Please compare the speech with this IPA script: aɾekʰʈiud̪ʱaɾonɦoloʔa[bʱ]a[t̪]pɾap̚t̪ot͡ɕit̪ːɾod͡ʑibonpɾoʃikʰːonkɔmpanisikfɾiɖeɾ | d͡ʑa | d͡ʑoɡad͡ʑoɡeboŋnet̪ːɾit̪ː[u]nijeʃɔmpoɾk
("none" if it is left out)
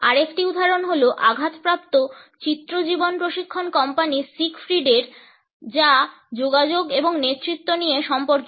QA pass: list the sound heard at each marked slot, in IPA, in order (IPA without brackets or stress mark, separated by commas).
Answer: ɡʱ, t̪, o